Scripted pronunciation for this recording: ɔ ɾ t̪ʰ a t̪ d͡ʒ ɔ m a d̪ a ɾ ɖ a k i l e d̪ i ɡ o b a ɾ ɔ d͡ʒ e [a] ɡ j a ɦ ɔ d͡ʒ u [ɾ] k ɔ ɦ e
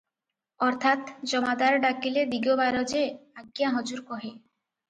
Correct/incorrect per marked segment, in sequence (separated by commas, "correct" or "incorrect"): correct, correct